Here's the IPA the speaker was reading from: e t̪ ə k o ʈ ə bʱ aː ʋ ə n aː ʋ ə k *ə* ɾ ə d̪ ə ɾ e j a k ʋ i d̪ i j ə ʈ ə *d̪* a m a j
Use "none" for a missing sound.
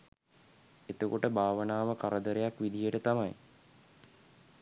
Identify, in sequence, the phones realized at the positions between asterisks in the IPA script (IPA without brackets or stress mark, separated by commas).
a, t̪